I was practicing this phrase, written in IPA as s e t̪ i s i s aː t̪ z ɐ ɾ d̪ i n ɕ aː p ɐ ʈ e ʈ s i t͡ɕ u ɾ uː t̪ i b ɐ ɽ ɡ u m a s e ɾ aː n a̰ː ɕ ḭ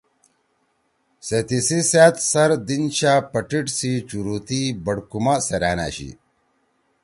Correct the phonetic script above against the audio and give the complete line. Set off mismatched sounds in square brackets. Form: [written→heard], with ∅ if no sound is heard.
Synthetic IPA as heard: s e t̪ i s i s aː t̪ [z→s] ɐ ɾ d̪ i n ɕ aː p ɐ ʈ [e→i] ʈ s i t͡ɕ u ɾ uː t̪ i b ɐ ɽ [ɡ→k] u m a s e ɾ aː n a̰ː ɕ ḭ